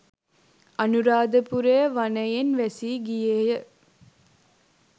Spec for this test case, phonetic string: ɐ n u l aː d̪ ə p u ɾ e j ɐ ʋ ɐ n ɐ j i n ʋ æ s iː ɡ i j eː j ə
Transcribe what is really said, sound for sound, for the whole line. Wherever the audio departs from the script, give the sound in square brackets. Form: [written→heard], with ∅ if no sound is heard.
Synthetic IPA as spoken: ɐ n u [l→ɾ] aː d̪ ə p u ɾ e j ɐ ʋ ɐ n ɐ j [i→e] n ʋ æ s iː ɡ i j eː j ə